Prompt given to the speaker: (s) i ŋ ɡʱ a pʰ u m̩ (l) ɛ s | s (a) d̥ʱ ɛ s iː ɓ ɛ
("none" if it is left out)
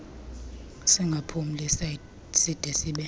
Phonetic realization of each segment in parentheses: s, l, i

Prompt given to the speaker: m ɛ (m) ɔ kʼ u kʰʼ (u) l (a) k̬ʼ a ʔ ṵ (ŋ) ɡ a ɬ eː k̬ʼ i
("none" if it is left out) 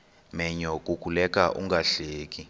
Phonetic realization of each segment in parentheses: ɲ, u, ɛ, ŋ

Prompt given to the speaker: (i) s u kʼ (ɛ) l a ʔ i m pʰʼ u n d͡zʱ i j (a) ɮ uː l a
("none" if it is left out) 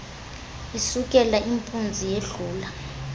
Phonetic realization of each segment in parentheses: i, ɛ, e

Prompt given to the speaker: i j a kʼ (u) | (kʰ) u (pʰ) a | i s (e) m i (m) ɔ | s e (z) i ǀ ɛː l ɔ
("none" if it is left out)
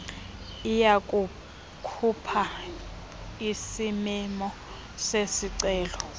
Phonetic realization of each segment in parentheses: u, kʰ, pʰ, i, m, s

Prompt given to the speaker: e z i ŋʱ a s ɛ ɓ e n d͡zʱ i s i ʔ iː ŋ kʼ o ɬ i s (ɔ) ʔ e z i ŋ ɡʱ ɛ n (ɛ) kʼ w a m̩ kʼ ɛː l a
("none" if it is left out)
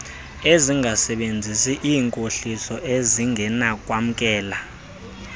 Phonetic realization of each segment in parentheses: ɔ, a

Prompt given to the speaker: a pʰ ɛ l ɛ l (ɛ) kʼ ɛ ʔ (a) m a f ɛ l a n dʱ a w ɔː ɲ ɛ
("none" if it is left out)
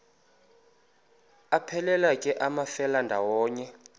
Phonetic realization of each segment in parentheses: a, a

